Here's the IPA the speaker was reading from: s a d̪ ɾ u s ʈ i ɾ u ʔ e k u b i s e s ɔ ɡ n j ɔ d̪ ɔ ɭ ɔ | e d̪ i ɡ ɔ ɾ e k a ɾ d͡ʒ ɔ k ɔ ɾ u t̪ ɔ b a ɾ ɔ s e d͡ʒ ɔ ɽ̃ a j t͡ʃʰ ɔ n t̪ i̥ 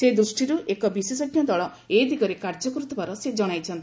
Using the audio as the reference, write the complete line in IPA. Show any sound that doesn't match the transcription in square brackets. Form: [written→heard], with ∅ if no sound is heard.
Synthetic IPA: s [a→e] d̪ ɾ u s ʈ i ɾ u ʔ e k [u→ɔ] b i s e s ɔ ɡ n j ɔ d̪ ɔ ɭ ɔ | e d̪ i ɡ ɔ ɾ e k a ɾ d͡ʒ ɔ k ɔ ɾ u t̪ ɔ b a ɾ ɔ s e d͡ʒ ɔ ɽ̃ a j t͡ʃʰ ɔ n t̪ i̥